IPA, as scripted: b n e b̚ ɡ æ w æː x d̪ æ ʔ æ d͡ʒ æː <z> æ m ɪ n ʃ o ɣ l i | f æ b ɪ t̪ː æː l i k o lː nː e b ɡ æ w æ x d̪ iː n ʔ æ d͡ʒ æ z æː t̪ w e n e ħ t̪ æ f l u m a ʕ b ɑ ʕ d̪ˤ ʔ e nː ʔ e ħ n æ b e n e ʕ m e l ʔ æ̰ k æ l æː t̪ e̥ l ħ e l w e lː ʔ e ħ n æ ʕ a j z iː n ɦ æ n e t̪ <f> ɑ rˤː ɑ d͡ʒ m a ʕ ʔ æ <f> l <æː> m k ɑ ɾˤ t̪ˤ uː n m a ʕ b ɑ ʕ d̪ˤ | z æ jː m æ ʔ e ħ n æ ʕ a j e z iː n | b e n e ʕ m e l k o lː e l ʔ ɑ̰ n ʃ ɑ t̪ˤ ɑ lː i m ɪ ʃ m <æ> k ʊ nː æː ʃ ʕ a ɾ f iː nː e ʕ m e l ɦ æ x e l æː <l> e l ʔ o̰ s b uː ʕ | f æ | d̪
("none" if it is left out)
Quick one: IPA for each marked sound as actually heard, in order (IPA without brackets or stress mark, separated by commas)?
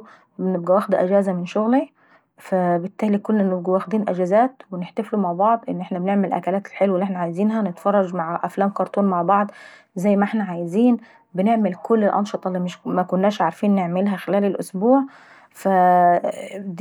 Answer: z, f, f, æː, æ, l